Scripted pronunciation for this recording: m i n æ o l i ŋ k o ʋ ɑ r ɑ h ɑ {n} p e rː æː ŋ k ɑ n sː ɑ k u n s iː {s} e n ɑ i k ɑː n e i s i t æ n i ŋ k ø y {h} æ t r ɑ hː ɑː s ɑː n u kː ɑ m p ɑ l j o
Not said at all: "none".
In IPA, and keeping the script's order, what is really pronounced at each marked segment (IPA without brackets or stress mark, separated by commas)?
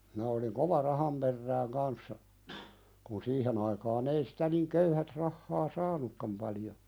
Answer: m, h, h